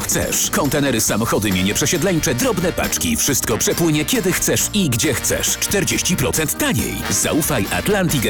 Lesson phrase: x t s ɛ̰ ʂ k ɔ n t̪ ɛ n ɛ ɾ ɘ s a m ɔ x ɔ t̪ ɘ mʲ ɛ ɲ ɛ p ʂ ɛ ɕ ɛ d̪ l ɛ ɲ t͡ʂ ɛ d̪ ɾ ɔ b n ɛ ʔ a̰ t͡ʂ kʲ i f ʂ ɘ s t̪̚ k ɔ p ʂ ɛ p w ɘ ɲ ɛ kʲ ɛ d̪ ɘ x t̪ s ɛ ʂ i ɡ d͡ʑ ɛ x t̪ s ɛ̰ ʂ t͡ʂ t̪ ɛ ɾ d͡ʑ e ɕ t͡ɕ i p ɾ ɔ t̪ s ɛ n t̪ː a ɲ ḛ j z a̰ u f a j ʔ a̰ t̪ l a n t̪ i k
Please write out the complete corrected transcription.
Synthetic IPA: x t s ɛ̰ ʂ k ɔ n t̪ ɛ n ɛ ɾ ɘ s a m ɔ x ɔ d̪ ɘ mʲ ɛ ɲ ɛ p ʂ ɛ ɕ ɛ d̪ l ɛ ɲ t͡ʂ ɛ d̪ ɾ ɔ b n ɛ p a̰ t͡ʂ kʲ i f ʂ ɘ s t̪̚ k ɔ p ʂ ɛ p w ɘ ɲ ɛ kʲ ɛ d̪ ɘ x t̪ s ɛ ʂ i ɡ d͡ʑ ɛ x t̪ s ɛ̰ ʂ t͡ʂ t̪ ɛ ɾ d͡ʑ e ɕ t͡ɕ i p ɾ ɔ t̪ s ɛ n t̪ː a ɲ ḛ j z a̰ u f a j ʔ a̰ t̪ l a n t̪ i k